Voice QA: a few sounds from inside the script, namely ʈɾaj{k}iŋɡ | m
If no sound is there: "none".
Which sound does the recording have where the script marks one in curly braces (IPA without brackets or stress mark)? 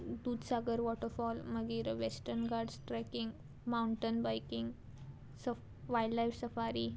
k